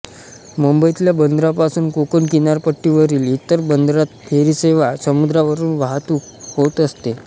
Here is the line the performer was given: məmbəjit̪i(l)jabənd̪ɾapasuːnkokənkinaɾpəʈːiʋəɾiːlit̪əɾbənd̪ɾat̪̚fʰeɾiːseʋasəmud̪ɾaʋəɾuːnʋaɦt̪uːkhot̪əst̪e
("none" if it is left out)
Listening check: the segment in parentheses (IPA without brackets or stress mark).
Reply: l